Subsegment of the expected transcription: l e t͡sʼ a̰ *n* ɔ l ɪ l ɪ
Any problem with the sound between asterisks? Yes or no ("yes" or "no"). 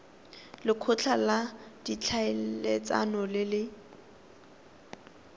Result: no